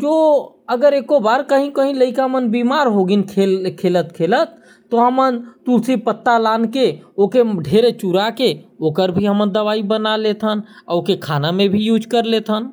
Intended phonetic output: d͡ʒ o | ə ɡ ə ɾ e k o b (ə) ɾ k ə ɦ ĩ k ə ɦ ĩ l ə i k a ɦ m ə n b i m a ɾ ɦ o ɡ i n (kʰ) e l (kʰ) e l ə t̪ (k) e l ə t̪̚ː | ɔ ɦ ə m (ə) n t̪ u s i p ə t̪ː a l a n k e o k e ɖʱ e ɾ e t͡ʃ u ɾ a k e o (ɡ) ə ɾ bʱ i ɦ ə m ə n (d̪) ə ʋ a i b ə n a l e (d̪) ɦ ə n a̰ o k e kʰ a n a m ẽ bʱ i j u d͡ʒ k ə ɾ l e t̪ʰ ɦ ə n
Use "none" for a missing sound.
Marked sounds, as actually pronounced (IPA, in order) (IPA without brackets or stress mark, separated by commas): a, kʰ, kʰ, kʰ, ə, k, d̪, t̪